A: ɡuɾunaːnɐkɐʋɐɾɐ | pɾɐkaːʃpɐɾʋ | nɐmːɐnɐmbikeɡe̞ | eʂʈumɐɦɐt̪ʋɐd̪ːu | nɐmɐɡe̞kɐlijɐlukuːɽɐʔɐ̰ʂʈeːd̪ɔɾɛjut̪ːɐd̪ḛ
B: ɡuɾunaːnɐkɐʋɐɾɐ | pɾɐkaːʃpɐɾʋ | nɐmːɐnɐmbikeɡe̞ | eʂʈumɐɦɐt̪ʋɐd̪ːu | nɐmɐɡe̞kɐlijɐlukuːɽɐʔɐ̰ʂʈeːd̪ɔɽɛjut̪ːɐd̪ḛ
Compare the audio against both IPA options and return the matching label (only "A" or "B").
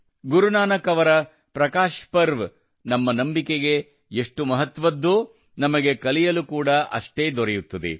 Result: A